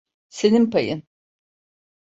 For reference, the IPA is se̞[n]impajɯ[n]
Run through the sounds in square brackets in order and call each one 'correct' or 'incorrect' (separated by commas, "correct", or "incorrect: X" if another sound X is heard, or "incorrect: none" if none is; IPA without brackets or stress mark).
correct, correct